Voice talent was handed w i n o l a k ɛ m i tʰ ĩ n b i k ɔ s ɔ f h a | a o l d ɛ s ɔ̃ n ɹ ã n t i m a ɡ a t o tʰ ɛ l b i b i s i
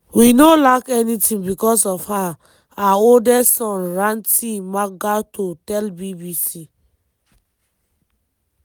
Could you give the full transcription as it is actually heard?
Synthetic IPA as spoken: w i n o l a k ɛ n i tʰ ĩ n b i k ɔ s ɔ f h a | a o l d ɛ s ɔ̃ n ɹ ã n t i m a ɡ a t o t ɛ l b i b i s i